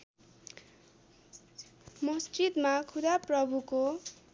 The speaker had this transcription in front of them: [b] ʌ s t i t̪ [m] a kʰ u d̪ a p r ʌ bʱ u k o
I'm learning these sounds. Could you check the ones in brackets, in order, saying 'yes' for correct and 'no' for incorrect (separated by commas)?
no, yes